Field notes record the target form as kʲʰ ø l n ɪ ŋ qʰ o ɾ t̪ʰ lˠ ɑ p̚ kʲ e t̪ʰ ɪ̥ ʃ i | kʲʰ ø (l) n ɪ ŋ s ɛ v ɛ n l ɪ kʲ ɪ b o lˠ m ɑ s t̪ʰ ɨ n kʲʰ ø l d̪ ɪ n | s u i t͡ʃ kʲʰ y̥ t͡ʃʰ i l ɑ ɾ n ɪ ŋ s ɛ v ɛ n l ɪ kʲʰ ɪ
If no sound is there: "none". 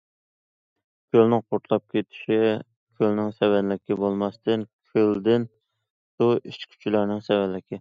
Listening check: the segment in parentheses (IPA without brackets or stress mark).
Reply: l